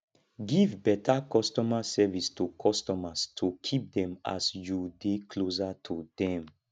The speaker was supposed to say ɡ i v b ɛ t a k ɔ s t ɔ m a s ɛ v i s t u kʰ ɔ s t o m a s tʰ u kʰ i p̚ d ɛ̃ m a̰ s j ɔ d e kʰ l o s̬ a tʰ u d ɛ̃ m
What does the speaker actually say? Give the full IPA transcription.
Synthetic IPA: ɡ i v b ɛ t a k ɔ s t ɔ m a s ɛ v i s t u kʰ ɔ s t ɔ m a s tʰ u kʰ i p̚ d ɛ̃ m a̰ s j u d e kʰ l o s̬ a tʰ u d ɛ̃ m